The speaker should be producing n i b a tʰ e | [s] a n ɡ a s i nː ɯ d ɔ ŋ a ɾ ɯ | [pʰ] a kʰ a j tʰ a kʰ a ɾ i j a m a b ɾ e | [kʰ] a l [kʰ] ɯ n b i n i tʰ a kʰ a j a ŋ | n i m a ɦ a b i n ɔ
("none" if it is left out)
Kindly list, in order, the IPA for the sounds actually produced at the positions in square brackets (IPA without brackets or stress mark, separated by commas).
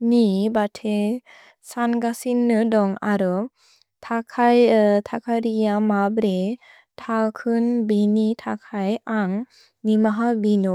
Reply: s, tʰ, tʰ, kʰ